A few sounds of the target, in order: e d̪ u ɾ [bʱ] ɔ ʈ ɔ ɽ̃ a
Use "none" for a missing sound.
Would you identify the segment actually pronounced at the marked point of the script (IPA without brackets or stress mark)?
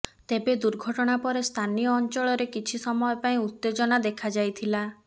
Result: ɡʱ